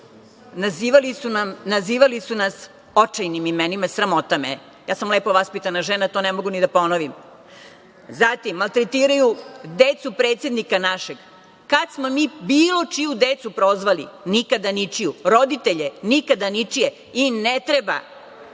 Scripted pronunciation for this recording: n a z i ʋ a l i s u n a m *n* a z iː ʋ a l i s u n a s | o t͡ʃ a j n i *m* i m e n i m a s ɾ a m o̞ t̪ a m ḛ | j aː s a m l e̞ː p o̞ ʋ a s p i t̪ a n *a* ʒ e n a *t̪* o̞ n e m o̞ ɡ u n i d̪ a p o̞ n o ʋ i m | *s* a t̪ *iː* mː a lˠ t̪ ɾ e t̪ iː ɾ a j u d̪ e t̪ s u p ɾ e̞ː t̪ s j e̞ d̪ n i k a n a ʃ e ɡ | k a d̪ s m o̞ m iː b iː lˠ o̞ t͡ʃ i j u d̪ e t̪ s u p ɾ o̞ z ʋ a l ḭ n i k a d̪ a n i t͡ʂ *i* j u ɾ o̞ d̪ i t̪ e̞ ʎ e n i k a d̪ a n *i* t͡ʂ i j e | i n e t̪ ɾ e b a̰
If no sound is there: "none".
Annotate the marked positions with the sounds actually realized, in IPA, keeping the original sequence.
n, m, a, t̪, z, i, i, i

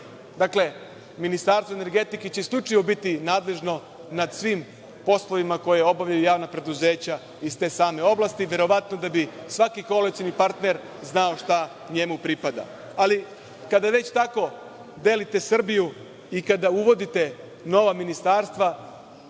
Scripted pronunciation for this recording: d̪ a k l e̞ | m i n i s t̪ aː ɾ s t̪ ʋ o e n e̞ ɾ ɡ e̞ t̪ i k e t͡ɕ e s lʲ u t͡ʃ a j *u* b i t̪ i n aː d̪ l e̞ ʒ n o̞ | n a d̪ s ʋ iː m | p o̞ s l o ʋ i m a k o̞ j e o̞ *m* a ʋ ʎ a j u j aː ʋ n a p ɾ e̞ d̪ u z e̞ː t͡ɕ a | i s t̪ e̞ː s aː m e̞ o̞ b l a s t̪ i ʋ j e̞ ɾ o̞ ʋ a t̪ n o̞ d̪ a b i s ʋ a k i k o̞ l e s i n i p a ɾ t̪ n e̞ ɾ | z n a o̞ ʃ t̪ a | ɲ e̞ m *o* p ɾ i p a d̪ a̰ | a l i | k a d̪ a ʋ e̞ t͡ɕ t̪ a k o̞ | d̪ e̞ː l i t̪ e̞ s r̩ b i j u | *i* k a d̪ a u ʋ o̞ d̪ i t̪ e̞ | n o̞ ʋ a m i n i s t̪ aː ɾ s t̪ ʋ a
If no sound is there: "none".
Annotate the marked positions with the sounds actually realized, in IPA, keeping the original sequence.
o, b, u, i

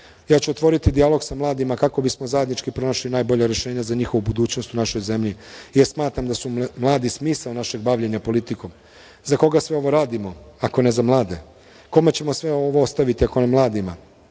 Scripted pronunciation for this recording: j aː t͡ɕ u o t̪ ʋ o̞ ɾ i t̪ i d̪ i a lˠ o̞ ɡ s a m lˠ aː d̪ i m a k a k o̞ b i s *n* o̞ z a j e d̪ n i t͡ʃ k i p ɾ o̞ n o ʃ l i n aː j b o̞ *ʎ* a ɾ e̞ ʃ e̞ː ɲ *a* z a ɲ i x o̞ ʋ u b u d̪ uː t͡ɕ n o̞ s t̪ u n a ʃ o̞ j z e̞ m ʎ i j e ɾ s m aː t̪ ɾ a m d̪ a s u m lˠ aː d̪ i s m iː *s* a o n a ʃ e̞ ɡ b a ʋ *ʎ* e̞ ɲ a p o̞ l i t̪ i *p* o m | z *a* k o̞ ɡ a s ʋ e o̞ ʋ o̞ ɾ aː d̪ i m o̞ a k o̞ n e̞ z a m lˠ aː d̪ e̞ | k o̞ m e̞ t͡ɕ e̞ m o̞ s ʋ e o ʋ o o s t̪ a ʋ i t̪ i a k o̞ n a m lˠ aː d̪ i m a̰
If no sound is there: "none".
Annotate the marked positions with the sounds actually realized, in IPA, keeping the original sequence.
m, ʎ, a, s, ʎ, k, a

